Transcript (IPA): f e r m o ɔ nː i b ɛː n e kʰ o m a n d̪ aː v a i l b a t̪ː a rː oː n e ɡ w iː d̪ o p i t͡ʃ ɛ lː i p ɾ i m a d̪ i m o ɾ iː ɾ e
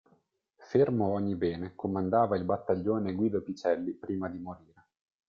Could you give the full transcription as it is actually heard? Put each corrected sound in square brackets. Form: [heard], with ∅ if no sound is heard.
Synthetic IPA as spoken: f e r m o ɔ [ɲː] i b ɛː n e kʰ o m a n d̪ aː v a i l b a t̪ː a [ʎː] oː n e ɡ w iː d̪ o p i t͡ʃ ɛ lː i p ɾ [iː] m a d̪ i m o ɾ iː ɾ e